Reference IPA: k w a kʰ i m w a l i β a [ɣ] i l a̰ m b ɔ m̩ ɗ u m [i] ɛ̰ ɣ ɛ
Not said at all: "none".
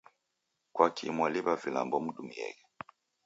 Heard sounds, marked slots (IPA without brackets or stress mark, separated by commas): v, i